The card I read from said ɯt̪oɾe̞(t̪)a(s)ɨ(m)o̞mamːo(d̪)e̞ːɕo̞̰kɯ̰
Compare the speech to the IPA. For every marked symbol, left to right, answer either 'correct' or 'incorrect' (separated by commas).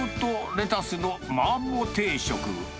correct, correct, incorrect, incorrect